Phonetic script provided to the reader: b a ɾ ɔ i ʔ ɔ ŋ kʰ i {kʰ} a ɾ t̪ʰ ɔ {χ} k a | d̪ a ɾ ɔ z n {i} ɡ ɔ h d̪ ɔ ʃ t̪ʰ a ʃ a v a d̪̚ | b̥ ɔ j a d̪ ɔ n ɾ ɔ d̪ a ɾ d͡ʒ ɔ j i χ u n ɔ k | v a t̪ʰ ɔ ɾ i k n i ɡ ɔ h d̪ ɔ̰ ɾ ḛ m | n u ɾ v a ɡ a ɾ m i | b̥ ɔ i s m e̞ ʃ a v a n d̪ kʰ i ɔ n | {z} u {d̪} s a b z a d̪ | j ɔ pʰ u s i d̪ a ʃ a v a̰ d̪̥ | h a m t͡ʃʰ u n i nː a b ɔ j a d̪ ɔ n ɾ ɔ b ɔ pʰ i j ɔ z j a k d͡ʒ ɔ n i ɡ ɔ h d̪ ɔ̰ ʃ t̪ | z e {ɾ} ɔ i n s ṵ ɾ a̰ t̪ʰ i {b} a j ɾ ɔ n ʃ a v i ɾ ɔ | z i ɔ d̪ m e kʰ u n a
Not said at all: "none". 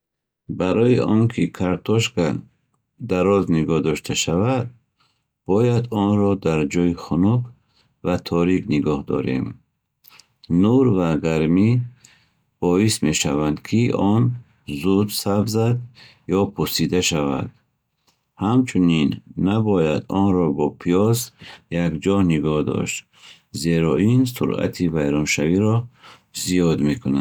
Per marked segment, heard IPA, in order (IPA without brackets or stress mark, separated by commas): kʰ, ʃ, i, z, d̪, ɾ, v